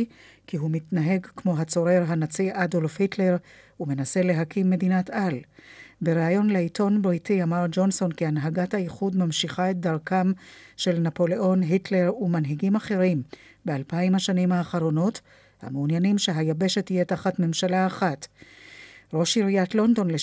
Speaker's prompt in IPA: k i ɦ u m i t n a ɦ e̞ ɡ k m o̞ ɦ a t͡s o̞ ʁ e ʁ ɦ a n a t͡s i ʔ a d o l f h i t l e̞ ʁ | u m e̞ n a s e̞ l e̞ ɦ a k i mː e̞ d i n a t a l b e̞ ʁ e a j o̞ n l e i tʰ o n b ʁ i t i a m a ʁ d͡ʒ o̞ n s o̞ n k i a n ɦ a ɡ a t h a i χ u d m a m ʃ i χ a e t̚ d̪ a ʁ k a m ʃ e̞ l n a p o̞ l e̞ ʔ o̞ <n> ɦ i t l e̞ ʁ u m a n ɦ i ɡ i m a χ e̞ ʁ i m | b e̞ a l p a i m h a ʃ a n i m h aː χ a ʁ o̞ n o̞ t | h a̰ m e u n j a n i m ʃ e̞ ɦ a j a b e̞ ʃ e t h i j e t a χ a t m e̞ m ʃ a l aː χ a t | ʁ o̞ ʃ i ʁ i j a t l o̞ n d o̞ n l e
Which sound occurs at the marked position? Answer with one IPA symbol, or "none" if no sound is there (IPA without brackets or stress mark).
n